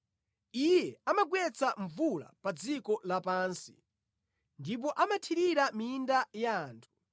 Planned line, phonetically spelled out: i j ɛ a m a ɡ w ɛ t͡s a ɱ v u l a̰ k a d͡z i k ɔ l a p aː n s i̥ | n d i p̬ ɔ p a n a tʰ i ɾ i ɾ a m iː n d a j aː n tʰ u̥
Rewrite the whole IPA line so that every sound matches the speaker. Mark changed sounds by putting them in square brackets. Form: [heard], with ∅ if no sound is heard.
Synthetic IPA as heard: i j ɛ a m a ɡ w ɛ t͡s a ɱ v u l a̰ [p] a d͡z i k ɔ l a p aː n s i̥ | n d i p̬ ɔ [ʔ] a [m] a tʰ i ɾ i ɾ a m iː n d a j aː n tʰ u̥